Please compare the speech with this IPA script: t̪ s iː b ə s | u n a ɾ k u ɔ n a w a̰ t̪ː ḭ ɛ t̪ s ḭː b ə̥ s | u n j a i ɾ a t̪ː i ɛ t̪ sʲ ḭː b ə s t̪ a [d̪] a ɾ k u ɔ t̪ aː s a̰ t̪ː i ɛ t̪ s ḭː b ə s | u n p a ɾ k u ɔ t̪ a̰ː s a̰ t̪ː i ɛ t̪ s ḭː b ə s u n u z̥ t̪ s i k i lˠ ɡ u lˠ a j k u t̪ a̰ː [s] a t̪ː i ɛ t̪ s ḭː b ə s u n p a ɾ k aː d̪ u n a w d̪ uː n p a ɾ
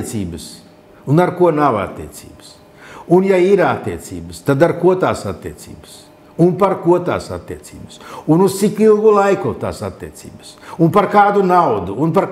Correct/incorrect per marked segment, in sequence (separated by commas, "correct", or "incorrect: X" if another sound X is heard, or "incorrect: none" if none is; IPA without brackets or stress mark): correct, correct